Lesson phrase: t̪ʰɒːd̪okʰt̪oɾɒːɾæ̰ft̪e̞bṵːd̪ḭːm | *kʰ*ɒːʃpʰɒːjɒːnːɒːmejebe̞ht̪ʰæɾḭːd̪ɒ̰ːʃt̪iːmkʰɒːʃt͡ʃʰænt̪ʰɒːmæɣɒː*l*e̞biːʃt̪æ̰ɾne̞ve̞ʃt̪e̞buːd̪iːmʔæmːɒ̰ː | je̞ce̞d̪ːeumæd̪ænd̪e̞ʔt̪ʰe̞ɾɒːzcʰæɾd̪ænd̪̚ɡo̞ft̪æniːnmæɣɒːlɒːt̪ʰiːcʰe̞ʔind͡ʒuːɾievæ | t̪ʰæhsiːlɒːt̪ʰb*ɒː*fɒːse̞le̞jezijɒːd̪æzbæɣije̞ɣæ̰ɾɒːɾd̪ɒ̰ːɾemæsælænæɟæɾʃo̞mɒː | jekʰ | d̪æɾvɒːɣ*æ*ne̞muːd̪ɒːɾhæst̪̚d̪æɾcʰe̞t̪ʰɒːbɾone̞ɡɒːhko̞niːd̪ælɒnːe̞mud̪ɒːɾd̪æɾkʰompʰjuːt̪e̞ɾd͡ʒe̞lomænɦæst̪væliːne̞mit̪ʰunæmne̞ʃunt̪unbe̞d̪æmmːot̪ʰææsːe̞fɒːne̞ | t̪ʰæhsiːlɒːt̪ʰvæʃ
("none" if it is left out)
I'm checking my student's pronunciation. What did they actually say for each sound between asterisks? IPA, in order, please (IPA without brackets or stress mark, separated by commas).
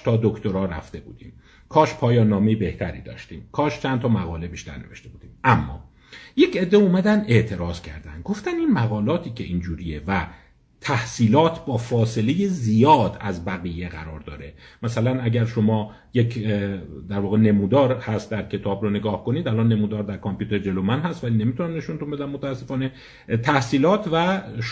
kʰ, l, ɒː, e